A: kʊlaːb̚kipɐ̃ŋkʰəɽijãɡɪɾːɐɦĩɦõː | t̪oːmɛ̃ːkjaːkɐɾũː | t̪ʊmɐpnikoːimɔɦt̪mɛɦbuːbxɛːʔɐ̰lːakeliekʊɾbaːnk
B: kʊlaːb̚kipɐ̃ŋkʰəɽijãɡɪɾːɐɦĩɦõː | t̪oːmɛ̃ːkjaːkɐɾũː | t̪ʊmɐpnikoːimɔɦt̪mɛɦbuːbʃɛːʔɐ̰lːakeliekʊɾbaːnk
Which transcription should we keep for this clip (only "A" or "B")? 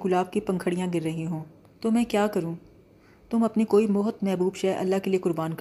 B